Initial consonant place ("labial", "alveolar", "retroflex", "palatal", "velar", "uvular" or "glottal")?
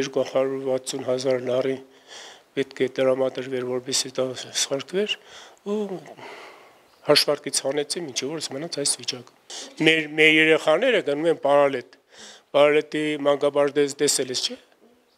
alveolar